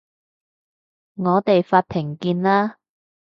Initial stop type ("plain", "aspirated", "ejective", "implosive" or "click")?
plain